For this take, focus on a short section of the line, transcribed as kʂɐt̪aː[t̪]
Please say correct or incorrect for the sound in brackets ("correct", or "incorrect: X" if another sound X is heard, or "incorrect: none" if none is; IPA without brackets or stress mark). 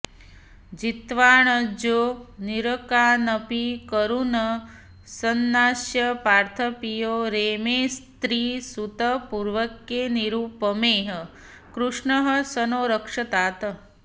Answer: correct